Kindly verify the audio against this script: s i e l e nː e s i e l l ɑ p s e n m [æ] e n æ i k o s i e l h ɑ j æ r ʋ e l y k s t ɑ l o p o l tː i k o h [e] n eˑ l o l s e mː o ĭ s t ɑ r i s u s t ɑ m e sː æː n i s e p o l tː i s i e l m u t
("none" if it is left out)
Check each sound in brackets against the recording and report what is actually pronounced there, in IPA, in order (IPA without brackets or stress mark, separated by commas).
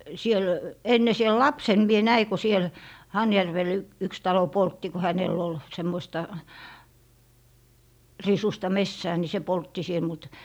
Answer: i, æ